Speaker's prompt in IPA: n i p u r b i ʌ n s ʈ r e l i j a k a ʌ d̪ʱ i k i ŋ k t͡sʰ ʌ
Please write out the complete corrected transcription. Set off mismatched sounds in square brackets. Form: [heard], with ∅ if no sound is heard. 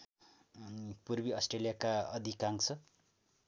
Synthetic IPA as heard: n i p u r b i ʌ [∅] s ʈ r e l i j a k a ʌ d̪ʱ i k [a] ŋ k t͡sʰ ʌ